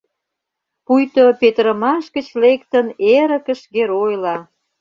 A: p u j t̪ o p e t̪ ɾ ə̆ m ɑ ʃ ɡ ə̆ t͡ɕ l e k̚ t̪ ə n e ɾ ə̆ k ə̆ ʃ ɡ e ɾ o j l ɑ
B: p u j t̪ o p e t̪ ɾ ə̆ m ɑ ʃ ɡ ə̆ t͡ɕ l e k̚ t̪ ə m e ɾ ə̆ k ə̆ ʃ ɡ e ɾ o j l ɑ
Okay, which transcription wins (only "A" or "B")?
A